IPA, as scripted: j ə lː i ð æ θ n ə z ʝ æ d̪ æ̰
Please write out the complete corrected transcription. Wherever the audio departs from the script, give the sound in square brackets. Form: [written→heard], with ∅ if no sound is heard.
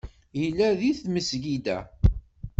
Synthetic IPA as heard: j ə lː [i→æ] ð [æ→i] θ [n→m] ə [z→s] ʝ [æ→i] d̪ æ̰